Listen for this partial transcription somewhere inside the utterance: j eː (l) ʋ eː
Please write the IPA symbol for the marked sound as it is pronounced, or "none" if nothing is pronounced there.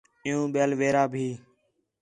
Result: l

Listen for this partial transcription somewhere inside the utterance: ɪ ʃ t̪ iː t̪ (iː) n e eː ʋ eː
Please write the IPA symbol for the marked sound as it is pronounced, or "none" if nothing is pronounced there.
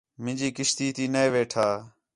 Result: iː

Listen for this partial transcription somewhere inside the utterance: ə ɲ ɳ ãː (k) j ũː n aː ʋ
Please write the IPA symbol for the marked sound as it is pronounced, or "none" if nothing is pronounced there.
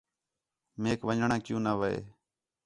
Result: k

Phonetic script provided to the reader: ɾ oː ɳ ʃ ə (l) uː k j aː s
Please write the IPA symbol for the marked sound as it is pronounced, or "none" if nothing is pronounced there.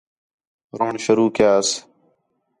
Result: ɾ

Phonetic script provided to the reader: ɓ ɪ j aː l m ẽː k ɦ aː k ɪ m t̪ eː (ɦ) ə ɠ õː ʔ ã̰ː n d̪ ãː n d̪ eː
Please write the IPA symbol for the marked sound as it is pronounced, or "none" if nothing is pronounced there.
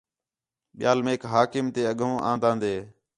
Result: none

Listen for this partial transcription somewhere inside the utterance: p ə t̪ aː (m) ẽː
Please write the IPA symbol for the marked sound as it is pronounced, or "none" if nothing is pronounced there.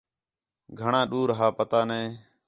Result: n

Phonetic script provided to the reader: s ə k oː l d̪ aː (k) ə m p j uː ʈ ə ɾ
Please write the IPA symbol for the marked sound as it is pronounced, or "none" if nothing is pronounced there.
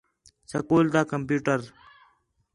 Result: k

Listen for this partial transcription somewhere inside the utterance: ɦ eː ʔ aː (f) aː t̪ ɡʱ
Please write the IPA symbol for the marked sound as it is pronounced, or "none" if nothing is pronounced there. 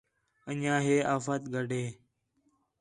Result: f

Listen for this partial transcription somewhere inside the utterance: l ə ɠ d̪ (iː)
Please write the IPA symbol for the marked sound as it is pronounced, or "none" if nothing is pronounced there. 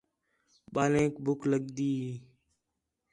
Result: iː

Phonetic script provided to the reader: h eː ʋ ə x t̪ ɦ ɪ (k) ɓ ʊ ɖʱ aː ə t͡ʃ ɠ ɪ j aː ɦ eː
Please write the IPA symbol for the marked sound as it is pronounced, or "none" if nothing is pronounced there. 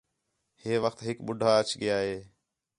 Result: k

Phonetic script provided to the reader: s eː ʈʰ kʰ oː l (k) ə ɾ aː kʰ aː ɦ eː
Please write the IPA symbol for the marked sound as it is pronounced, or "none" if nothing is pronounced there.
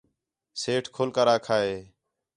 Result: k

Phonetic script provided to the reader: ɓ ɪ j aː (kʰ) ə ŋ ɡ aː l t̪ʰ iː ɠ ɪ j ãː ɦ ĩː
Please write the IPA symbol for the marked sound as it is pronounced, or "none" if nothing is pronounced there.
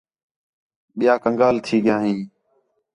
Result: k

